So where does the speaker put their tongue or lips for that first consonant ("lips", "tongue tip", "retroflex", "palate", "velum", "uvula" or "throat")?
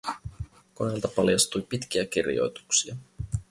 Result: velum